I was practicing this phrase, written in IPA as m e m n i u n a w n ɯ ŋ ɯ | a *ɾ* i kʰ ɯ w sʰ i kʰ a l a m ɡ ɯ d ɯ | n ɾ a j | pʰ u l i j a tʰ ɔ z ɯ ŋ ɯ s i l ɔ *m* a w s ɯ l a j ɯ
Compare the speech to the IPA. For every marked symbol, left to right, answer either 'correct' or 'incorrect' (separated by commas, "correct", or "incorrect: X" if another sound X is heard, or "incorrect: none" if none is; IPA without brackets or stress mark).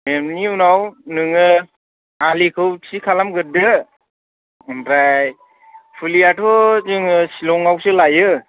incorrect: l, incorrect: ŋ